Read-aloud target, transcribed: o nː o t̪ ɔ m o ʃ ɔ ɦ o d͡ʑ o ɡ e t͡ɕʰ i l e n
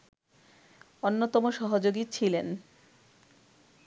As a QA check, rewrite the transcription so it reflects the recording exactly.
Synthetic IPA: o nː o t̪ ɔ m o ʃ ɔ ɦ o d͡ʑ o ɡ i t͡ɕʰ i l e n